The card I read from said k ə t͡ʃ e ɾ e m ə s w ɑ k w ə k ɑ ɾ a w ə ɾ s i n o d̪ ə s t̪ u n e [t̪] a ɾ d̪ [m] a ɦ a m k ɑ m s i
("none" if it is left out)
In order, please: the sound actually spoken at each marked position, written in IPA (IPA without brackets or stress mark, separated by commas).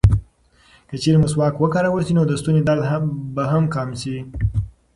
d̪, b